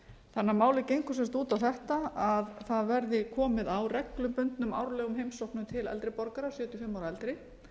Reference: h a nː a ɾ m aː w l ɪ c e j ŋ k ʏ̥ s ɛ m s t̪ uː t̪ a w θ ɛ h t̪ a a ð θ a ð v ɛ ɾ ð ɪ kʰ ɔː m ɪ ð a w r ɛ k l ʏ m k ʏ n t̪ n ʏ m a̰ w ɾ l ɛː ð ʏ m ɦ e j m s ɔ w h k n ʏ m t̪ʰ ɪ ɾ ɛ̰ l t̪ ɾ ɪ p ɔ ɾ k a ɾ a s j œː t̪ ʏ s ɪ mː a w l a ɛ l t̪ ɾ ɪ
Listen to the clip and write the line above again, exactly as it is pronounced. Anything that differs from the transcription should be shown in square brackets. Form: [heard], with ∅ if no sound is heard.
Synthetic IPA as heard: [θ] a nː a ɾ m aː w l ɪ c e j ŋ k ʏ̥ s ɛ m s t̪ uː t̪ a w θ ɛ h t̪ a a ð θ a ð v ɛ ɾ ð ɪ kʰ ɔː m ɪ ð a w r ɛ k l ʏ m [p] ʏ n t̪ n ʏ m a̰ w ɾ l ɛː [ɣ] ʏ m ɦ e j m s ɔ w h k n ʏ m t̪ʰ ɪ [l] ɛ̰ l t̪ ɾ ɪ p ɔ ɾ k a ɾ a s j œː t̪ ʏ [f] ɪ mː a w [ɾ] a ɛ l t̪ ɾ ɪ